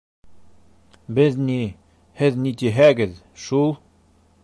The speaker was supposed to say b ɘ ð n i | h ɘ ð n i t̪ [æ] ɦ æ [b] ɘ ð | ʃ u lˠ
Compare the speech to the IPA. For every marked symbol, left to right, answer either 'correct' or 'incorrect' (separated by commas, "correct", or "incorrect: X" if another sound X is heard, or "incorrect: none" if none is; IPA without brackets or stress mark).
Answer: incorrect: i, incorrect: ɡ